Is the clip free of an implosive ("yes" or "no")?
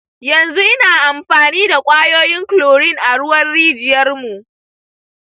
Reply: yes